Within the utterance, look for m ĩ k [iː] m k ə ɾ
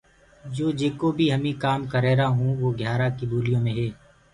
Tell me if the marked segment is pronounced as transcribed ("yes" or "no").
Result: no